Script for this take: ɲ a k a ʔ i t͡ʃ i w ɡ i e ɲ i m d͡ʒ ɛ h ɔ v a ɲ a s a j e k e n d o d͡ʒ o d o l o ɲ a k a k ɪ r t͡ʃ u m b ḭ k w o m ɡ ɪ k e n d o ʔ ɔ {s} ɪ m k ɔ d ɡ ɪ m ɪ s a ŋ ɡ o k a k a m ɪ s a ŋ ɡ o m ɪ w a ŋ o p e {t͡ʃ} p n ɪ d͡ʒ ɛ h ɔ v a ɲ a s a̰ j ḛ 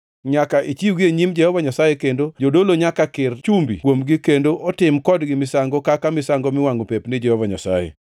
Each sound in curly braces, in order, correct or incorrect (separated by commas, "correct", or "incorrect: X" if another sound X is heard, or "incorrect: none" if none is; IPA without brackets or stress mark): incorrect: t, incorrect: none